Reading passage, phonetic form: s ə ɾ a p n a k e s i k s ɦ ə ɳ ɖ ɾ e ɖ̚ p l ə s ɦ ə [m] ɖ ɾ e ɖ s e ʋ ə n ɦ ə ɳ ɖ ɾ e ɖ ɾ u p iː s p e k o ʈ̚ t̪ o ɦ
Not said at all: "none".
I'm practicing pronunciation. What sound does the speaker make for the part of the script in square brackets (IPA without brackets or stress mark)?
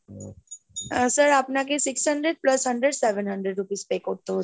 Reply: ɳ